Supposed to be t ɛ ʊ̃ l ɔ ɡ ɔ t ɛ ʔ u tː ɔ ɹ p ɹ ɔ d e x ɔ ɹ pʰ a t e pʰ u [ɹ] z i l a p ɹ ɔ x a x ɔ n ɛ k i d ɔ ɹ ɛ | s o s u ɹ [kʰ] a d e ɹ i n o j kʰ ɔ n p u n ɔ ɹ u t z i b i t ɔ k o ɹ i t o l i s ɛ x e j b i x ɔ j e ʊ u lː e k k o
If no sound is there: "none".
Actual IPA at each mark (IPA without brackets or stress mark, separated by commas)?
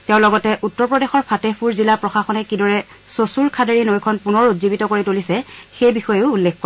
ɹ, kʰ